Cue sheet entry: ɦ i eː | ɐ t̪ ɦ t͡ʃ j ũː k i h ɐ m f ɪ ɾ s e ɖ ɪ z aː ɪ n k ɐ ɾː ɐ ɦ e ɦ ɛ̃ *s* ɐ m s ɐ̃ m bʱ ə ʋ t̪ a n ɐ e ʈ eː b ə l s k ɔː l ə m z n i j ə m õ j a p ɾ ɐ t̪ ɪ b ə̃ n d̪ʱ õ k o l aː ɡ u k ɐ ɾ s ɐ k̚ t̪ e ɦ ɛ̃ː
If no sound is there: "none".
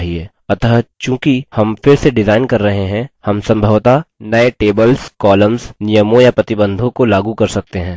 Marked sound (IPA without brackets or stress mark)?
h